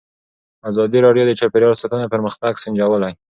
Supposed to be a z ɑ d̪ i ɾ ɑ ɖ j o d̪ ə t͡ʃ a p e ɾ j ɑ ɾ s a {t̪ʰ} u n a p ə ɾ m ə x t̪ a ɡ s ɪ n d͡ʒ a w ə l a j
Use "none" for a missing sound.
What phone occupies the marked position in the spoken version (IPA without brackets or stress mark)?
t̪